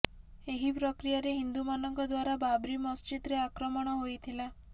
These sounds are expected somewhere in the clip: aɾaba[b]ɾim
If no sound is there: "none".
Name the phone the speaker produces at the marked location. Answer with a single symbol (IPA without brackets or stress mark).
b